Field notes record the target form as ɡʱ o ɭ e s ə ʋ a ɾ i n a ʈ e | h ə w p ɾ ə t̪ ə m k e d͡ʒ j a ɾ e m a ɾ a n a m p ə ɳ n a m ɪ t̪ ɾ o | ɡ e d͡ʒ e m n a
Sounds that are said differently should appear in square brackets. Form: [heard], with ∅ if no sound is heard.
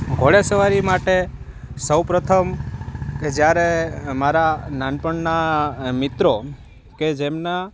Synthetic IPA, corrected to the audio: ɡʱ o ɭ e s ə ʋ a ɾ i [m] a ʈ e | [s] ə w p ɾ ə [t̪ʰ] ə m k e d͡ʒ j a ɾ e m a ɾ a n a [n] p ə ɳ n a m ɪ t̪ ɾ o | [k] e d͡ʒ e m n a